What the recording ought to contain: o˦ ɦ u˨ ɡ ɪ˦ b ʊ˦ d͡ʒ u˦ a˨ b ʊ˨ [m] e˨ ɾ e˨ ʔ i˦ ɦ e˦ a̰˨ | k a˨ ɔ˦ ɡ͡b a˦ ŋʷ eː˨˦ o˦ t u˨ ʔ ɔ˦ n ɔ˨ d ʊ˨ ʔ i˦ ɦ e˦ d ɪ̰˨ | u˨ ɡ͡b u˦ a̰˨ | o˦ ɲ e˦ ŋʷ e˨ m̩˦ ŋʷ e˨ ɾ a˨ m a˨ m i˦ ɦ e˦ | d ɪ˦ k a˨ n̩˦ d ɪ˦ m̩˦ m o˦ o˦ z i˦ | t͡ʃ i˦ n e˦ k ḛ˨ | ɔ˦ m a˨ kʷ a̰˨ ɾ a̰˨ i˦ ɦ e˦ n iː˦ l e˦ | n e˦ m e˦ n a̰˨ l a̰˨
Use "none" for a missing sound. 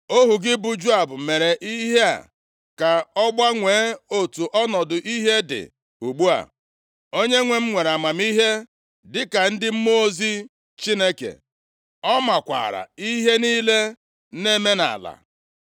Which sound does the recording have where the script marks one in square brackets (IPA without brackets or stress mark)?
m